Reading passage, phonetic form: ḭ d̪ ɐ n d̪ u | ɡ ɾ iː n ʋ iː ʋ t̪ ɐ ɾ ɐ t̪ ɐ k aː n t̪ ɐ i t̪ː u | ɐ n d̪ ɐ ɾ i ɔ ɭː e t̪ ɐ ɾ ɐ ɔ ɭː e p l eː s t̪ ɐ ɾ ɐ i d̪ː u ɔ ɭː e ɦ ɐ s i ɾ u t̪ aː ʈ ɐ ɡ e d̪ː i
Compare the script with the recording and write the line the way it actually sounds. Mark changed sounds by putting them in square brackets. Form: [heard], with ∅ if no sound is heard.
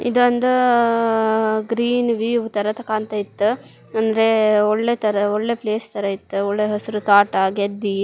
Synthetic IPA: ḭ d̪ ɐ n d̪ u | ɡ ɾ iː n ʋ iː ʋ t̪ ɐ ɾ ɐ t̪ ɐ k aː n t̪ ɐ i t̪ː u | ɐ n d̪ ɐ ɾ [e] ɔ ɭː e t̪ ɐ ɾ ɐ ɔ ɭː e p l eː s t̪ ɐ ɾ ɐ i [t̪ː] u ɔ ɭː e ɦ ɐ s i ɾ u t̪ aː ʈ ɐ ɡ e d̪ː i